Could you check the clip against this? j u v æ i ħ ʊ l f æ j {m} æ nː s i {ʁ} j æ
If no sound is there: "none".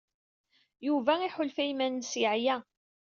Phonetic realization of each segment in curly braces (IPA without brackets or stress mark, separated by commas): m, ʕ